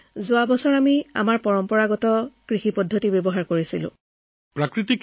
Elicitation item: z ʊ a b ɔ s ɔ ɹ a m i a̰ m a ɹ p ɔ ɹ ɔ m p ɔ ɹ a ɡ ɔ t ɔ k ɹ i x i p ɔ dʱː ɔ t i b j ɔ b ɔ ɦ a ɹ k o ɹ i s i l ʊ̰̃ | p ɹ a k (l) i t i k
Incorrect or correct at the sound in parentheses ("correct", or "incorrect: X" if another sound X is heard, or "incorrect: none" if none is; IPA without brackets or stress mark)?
incorrect: ɹ